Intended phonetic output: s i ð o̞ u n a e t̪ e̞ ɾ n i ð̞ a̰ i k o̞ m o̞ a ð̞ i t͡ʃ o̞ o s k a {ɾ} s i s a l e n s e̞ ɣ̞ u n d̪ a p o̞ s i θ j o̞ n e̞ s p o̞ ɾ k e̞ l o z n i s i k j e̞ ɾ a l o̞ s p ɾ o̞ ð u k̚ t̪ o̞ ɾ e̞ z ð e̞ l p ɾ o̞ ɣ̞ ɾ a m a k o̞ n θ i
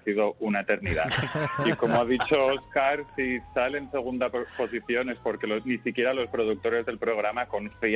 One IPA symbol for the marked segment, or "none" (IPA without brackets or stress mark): ɾ